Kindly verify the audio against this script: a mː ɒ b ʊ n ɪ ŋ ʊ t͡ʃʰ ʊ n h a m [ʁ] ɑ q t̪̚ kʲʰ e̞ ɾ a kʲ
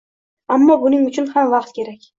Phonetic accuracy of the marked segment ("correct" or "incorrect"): incorrect